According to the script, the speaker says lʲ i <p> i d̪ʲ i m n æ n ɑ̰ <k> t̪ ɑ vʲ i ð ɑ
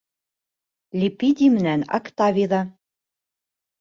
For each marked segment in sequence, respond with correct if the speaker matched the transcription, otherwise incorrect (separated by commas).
correct, correct